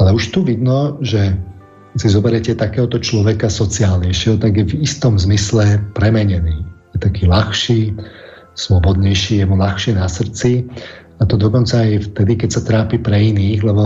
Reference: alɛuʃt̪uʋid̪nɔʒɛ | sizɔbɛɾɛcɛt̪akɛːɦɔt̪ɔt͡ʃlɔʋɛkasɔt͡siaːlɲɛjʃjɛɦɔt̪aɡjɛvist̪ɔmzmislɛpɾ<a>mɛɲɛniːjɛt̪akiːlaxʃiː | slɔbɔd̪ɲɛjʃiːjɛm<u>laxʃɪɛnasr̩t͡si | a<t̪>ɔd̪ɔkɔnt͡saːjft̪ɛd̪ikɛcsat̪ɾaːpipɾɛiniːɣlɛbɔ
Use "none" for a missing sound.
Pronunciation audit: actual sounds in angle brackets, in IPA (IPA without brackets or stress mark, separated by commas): ɛ, u, t̪